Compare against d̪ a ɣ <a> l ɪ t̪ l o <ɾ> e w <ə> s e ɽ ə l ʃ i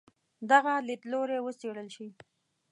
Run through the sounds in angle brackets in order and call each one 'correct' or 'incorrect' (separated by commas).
correct, correct, correct